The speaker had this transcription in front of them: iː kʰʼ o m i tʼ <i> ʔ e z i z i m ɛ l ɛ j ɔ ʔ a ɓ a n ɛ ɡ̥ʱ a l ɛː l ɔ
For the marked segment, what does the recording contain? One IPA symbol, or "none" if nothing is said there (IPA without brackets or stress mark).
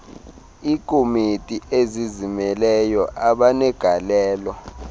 i